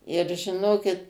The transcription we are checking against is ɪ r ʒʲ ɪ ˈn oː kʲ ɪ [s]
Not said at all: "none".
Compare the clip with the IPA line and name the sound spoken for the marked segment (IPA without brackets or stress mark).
t